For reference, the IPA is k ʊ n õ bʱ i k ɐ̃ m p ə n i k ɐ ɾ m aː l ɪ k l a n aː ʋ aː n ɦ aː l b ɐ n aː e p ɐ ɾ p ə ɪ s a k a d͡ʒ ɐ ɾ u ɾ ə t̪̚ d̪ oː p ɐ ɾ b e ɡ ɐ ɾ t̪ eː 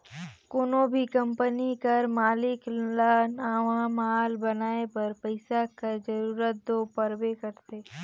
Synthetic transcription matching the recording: k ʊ n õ bʱ i k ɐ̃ m p ə n i k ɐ ɾ m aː l ɪ k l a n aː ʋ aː m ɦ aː l b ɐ n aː e p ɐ ɾ p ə ɪ s a k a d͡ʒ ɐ ɾ uː ɾ ə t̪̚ d̪ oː p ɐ ɾ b e k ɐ ɾ t̪ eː